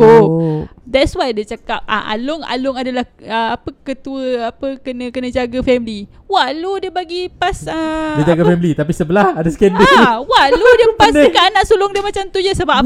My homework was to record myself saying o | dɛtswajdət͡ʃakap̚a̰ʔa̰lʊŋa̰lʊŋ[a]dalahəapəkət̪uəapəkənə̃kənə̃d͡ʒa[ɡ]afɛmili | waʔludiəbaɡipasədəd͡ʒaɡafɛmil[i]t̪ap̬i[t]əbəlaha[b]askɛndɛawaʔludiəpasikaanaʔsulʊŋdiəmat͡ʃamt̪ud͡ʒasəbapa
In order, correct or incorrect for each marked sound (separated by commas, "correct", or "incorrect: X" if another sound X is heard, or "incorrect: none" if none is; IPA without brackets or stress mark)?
correct, correct, correct, incorrect: s, incorrect: d